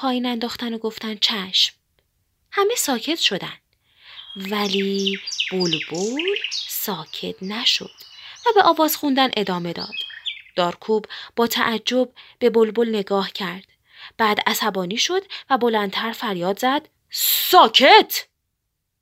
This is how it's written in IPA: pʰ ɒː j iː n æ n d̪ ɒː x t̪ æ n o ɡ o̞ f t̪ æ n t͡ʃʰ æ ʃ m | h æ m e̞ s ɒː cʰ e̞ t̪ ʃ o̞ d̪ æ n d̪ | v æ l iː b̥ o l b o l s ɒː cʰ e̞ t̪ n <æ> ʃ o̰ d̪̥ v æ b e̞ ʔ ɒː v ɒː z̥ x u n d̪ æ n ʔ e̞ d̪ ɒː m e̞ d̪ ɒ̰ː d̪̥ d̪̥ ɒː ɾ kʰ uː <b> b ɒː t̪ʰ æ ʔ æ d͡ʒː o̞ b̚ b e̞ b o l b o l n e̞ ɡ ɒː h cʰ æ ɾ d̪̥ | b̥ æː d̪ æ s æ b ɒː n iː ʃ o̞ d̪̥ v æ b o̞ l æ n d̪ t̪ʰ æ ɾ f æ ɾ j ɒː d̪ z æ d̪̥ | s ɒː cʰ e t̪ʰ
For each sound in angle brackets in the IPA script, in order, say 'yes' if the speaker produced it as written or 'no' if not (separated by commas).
yes, yes